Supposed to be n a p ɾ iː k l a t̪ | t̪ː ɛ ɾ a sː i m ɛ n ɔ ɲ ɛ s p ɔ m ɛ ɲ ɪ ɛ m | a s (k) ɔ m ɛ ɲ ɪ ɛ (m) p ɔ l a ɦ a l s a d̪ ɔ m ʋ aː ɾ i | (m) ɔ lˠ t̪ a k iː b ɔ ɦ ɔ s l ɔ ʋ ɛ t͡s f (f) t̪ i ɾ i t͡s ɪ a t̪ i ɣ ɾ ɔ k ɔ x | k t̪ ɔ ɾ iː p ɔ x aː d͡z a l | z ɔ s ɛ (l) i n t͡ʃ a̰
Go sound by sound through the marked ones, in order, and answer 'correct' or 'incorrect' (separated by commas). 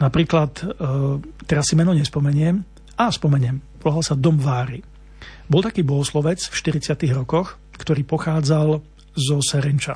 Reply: incorrect, correct, incorrect, incorrect, incorrect